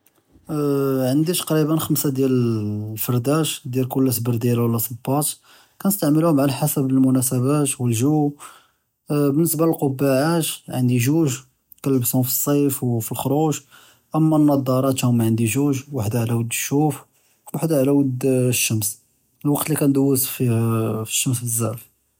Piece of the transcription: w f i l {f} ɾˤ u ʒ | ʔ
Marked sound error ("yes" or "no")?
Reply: yes